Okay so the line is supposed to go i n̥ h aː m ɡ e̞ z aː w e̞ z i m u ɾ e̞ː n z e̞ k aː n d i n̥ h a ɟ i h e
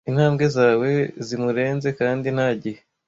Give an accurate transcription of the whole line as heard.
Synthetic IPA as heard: i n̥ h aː m ɡ e̞ z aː w e̞ z i m u ɾ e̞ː n z e̞ k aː n d i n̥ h a ɟ i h e